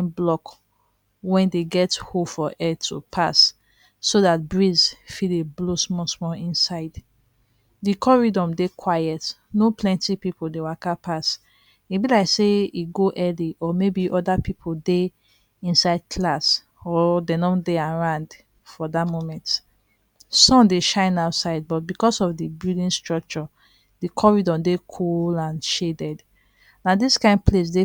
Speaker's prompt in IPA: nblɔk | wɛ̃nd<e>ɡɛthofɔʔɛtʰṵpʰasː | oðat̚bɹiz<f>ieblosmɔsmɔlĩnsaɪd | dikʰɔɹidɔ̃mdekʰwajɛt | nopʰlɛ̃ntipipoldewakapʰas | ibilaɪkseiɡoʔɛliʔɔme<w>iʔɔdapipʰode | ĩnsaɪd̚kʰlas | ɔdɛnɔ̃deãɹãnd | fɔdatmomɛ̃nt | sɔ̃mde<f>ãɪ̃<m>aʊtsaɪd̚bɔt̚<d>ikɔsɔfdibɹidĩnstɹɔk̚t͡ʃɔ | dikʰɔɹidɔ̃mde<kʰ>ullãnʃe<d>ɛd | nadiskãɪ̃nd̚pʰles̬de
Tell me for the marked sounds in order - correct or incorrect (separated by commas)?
correct, correct, incorrect, incorrect, incorrect, incorrect, correct, correct